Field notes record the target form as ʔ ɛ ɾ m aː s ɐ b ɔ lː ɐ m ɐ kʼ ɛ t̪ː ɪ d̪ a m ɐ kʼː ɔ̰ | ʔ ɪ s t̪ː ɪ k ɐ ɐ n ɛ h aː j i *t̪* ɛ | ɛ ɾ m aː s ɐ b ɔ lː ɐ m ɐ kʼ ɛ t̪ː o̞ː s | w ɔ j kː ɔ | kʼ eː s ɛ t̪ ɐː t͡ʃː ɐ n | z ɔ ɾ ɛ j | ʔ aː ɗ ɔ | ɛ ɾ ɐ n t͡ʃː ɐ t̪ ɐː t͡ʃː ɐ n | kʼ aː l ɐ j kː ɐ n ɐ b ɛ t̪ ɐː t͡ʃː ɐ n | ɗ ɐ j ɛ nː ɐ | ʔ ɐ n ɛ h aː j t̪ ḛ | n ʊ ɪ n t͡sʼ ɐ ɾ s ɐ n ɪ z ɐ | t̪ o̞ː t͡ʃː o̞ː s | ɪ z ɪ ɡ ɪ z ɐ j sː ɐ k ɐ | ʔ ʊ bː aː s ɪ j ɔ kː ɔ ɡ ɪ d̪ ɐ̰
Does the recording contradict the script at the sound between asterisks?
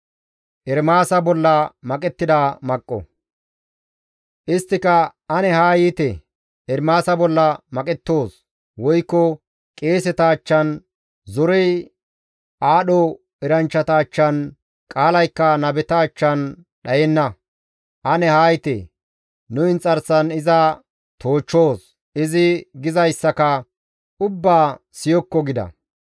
no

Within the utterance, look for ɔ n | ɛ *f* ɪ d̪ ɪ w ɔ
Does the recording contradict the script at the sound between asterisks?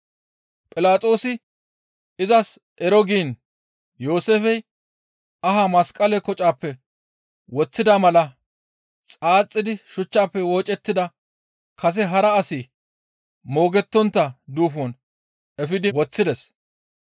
no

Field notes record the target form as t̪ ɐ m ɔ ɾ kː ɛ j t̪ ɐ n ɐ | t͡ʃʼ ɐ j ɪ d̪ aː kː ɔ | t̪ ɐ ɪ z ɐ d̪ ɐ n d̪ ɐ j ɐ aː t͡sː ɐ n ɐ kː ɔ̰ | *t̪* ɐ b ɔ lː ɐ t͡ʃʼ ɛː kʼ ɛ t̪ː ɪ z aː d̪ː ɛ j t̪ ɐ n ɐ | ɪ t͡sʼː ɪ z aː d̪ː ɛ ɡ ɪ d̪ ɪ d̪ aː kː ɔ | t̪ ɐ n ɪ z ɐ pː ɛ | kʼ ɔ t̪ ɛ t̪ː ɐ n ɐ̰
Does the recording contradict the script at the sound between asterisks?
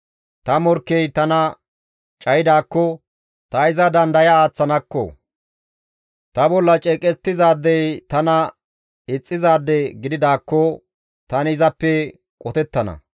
no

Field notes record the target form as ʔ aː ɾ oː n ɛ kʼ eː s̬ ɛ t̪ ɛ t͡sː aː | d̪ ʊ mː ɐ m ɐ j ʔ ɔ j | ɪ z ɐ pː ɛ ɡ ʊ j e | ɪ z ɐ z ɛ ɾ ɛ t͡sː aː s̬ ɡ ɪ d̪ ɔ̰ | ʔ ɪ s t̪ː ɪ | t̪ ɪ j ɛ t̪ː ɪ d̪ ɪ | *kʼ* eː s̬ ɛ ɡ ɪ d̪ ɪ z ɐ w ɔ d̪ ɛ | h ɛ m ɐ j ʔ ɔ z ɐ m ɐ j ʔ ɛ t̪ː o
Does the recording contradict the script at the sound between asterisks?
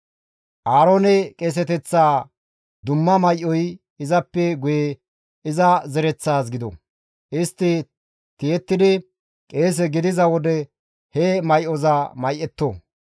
no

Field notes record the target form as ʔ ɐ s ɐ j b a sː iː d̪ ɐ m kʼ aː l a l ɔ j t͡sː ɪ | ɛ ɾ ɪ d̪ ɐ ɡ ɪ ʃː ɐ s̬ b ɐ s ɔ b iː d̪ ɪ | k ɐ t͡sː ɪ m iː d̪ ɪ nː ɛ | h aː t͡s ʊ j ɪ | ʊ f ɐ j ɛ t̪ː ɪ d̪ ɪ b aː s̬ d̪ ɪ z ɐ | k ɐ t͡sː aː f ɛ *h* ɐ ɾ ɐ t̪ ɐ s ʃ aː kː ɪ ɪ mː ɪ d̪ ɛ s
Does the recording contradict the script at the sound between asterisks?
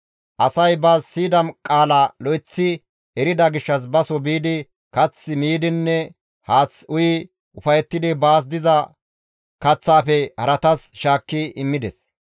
no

